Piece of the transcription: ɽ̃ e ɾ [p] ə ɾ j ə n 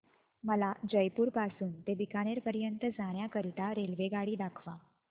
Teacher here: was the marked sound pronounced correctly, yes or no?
yes